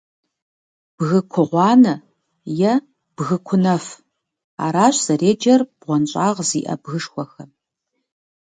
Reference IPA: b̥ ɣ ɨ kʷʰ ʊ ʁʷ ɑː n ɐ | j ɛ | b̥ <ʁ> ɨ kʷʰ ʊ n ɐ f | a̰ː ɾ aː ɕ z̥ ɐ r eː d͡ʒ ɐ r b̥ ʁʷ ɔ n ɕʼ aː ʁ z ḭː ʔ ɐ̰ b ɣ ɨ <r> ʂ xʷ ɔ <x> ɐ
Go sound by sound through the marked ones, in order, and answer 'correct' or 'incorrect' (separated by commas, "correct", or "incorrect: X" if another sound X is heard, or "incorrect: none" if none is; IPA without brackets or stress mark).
incorrect: ɣ, incorrect: none, correct